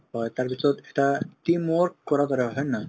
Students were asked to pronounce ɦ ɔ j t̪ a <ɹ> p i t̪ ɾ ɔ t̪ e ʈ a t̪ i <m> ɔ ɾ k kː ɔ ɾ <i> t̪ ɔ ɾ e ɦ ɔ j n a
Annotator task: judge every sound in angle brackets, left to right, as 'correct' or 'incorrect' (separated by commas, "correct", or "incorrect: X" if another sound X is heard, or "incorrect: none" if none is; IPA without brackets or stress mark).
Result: incorrect: ɾ, correct, incorrect: a